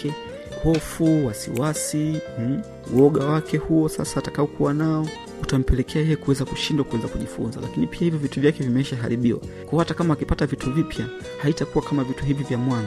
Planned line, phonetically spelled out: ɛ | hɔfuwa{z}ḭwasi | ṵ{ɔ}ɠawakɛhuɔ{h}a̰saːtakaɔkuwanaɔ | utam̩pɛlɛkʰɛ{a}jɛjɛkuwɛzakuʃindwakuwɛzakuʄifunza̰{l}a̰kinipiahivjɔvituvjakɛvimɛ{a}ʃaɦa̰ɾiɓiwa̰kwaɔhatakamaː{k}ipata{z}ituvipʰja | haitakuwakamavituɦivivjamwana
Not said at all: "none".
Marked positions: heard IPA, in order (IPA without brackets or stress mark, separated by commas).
s, ɔ, s, a, l, i, k, v